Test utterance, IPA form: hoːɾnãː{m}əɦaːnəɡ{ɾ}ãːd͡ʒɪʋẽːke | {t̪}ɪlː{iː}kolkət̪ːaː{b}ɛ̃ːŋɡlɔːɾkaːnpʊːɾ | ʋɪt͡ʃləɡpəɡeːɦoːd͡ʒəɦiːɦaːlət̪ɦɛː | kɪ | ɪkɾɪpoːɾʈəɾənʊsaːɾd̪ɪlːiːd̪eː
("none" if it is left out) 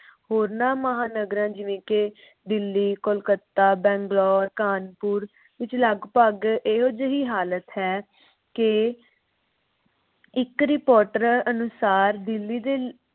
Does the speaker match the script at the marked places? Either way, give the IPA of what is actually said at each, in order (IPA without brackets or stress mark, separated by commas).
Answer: m, ɾ, d̪, iː, b